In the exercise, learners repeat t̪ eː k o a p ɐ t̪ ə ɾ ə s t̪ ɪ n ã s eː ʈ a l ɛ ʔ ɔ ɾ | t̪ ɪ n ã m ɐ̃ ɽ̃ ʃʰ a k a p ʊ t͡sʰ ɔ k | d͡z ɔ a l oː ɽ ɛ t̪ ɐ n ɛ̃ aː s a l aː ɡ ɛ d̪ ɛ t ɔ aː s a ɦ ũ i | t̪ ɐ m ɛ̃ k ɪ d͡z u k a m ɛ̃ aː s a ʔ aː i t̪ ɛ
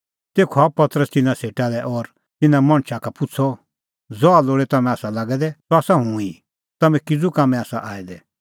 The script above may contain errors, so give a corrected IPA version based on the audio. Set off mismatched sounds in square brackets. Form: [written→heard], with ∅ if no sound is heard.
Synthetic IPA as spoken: t̪ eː [k→kʰ] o a p ɐ t̪ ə ɾ ə s t̪ ɪ n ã s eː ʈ a l ɛ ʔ ɔ ɾ | t̪ ɪ n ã m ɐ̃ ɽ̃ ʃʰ a k a p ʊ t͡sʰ ɔ [k→∅] | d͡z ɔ a l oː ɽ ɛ t̪ ɐ [n→m] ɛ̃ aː s a l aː ɡ ɛ d̪ ɛ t ɔ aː s a ɦ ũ i | t̪ ɐ m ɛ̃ k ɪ d͡z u k a m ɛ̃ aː s a ʔ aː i [t̪→d̪] ɛ

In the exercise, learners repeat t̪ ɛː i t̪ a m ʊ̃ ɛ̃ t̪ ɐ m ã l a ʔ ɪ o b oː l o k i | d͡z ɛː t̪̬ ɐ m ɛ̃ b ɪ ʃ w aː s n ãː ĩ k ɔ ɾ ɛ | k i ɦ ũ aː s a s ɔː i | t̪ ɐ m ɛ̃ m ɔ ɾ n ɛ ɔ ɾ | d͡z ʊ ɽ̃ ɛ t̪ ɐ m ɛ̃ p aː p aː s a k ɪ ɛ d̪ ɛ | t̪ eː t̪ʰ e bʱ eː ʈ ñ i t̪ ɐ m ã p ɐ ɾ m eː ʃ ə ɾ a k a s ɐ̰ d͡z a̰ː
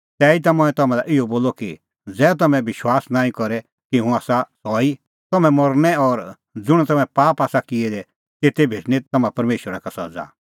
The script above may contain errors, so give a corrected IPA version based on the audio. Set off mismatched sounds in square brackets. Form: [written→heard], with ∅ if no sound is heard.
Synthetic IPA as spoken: t̪ ɛː i t̪ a m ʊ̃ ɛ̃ t̪ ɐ m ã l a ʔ ɪ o b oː l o k i | d͡z ɛː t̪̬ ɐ m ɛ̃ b ɪ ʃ w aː s n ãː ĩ k ɔ ɾ ɛ | k i ɦ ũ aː s a s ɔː i | t̪ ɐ m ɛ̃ m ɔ ɾ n ɛ ɔ ɾ | d͡z ʊ ɽ̃ ɛ t̪ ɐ m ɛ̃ p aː p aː s a k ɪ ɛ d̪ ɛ | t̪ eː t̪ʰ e bʱ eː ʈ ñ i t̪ ɐ m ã p ɐ ɾ m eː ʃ ə ɾ a k a s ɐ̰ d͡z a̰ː

